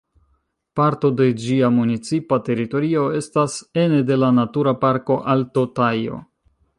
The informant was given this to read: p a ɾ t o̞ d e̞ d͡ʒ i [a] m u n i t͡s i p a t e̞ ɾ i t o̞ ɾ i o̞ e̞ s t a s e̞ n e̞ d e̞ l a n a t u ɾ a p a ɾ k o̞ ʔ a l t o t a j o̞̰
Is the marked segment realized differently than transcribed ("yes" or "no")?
no